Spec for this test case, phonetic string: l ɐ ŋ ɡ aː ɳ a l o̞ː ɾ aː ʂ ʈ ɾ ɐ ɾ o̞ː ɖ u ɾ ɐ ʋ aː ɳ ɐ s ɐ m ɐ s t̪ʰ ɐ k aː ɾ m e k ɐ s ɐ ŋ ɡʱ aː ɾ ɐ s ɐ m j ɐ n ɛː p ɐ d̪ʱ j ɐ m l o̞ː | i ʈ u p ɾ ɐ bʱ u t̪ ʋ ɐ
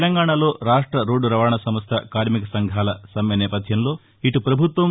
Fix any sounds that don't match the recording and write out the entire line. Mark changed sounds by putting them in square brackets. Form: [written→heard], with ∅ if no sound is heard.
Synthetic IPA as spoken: l ɐ ŋ ɡ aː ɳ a l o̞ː ɾ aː ʂ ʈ ɾ ɐ ɾ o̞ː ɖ u ɾ ɐ ʋ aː ɳ ɐ s ɐ m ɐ s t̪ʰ ɐ k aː ɾ m [e→i] k ɐ s ɐ ŋ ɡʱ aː [ɾ→l] ɐ s ɐ m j ɐ n ɛː p ɐ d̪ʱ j ɐ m l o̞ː | i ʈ u p ɾ ɐ bʱ u t̪ ʋ ɐ